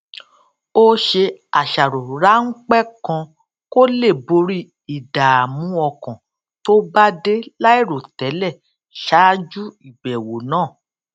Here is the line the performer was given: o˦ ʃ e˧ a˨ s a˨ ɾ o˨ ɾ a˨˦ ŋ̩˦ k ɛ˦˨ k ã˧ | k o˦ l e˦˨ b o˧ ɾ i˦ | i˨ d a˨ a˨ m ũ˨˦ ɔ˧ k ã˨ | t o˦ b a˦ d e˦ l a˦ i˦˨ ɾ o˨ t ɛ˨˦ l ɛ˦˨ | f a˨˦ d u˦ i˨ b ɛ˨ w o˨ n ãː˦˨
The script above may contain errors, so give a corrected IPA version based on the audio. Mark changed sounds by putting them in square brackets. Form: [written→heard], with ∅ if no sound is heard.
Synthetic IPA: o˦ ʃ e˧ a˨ [s→ʃ] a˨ ɾ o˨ ɾ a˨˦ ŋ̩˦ [k→k͡p] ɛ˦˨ k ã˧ | k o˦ l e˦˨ b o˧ ɾ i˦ | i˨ d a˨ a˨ m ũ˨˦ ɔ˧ k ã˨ | t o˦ b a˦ d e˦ l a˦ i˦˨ ɾ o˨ t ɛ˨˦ l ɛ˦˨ | [f→ʃ] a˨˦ [d→d͡ʒ] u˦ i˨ b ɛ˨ w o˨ n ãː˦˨

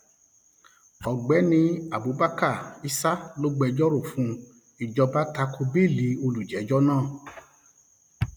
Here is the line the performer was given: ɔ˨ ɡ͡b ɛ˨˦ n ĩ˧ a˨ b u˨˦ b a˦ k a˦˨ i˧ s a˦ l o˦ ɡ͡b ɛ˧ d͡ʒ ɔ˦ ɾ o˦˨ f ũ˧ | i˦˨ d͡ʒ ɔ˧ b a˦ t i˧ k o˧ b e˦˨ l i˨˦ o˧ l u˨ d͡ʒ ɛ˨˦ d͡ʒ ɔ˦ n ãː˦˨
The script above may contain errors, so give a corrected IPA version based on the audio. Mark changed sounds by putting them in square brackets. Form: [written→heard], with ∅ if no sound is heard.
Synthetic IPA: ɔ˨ ɡ͡b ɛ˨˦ n ĩ˧ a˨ b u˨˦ b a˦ k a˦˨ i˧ s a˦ l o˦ ɡ͡b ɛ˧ d͡ʒ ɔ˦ ɾ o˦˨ f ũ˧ | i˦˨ d͡ʒ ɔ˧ b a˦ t [i˧→a˧] k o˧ b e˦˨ l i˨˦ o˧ l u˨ d͡ʒ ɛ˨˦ d͡ʒ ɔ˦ n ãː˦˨

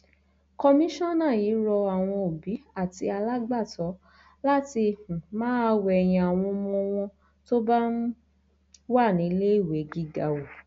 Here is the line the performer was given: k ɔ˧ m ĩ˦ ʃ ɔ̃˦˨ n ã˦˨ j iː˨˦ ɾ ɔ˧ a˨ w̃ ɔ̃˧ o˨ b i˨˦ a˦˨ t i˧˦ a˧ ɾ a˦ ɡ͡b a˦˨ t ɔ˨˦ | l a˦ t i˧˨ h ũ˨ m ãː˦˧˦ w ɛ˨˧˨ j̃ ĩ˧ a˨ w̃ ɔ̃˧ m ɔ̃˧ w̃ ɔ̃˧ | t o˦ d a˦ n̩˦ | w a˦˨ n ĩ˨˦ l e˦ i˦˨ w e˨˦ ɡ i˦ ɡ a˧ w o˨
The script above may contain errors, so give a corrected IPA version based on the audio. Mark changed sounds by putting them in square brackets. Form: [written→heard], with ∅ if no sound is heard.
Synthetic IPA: k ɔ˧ m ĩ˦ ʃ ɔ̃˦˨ n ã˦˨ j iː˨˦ ɾ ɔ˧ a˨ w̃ ɔ̃˧ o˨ b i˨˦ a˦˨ t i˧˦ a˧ [ɾ→l] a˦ ɡ͡b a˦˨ t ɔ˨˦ | l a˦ t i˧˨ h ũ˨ m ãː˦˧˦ w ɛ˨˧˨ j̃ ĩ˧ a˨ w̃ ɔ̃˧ m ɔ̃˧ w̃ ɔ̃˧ | t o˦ [d→b] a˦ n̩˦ | w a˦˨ n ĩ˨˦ l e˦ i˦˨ w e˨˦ ɡ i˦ ɡ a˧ w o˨

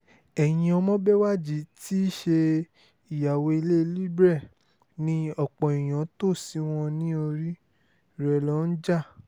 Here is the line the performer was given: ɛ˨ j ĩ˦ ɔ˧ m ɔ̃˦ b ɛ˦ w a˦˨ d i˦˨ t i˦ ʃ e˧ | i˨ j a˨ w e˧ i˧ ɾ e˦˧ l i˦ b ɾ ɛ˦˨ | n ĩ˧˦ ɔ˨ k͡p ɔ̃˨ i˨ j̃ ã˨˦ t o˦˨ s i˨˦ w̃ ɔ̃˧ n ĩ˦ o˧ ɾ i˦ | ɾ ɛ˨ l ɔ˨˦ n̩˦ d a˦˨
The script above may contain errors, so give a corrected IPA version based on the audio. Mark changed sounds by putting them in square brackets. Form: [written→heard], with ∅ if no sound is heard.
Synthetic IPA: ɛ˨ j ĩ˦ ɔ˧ m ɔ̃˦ b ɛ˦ w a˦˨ [d→d͡ʒ] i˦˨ t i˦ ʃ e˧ | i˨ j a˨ w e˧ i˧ [ɾ→l] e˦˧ l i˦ b ɾ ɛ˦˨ | n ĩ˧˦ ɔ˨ k͡p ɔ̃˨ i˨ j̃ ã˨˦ t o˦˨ s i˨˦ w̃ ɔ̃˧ n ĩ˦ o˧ ɾ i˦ | ɾ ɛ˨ l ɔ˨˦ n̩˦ [d→d͡ʒ] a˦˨

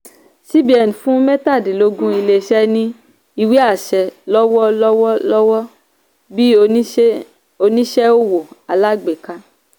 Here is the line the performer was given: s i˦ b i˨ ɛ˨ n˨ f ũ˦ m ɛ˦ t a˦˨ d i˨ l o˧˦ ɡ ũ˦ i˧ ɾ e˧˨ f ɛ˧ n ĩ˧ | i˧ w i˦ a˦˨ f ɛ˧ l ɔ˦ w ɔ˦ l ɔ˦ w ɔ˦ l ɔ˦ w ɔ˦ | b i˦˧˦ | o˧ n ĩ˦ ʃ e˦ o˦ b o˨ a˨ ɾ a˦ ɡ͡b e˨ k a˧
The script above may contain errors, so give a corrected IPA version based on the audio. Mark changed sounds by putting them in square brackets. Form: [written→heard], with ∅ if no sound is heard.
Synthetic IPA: s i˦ b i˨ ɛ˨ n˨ f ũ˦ m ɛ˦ t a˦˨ d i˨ l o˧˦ ɡ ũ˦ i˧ [ɾ→l] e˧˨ [f→ʃ] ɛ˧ n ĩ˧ | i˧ w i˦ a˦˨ [f→ʃ] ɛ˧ l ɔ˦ w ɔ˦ l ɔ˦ w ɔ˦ l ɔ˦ w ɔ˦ | b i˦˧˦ | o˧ n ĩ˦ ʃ [e˦→ɛ˦] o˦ [b→w] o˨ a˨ [ɾ→l] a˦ ɡ͡b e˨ k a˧

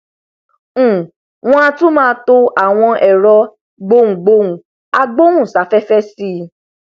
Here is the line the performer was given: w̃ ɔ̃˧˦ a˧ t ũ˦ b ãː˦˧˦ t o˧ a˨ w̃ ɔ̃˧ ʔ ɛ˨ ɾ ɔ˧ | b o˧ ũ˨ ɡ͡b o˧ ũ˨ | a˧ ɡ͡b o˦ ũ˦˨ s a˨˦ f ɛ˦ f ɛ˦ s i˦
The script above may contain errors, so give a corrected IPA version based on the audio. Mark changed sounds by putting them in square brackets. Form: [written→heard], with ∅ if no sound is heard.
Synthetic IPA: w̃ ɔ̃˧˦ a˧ t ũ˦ [b→m] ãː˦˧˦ t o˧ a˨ w̃ ɔ̃˧ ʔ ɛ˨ ɾ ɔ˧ | [b→ɡ͡b] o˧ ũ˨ ɡ͡b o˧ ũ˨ | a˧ ɡ͡b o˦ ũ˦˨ s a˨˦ f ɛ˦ f ɛ˦ s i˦

